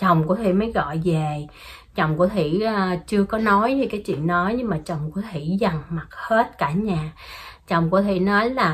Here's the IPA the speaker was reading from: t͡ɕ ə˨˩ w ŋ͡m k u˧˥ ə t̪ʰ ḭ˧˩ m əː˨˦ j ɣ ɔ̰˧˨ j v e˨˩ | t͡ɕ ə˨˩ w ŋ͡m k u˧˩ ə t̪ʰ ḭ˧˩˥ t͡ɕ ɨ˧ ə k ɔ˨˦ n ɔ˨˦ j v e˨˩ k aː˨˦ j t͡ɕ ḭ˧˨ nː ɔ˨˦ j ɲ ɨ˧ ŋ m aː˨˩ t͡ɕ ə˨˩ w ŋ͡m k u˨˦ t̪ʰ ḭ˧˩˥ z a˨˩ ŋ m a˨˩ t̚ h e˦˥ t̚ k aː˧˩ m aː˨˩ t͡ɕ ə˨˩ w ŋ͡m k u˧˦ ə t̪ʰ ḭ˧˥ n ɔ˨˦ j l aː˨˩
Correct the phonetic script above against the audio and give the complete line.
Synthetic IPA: t͡ɕ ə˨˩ w ŋ͡m k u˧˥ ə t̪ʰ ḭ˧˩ m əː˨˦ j ɣ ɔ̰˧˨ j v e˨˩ | t͡ɕ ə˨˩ w ŋ͡m k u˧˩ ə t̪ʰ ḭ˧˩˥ t͡ɕ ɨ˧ ə k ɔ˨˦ n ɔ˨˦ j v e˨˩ k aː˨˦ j t͡ɕ ḭ˧˨ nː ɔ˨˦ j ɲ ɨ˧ ŋ m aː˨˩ t͡ɕ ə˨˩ w ŋ͡m k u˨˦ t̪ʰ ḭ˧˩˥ z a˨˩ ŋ m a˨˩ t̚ h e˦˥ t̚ k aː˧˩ ɲ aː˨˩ t͡ɕ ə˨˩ w ŋ͡m k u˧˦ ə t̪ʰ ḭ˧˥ n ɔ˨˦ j l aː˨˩